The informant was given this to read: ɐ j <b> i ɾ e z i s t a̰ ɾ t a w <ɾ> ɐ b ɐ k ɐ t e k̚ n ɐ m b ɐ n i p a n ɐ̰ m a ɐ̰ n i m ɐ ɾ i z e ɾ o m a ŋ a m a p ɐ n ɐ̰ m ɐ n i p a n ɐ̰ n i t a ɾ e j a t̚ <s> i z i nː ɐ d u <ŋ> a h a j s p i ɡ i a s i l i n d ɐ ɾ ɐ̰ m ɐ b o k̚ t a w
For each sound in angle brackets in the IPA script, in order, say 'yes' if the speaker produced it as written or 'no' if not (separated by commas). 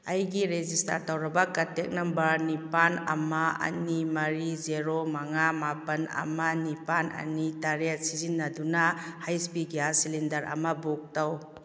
no, yes, yes, no